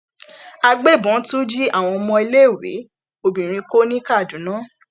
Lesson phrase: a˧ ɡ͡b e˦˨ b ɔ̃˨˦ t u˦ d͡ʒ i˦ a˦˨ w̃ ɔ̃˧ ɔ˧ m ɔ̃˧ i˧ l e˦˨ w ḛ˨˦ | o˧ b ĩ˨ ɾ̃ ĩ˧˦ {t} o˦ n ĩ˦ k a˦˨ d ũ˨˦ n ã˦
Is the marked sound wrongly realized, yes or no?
yes